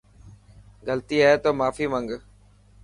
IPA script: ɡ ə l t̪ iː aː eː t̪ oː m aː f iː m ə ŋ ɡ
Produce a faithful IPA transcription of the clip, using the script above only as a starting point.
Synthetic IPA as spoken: ɡ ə l t̪ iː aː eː t̪ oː m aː f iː m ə ŋ ɡ